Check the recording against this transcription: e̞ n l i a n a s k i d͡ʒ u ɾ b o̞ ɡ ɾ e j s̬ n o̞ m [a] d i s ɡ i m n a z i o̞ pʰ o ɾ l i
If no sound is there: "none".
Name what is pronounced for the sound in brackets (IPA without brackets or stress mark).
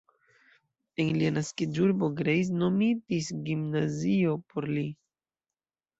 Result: i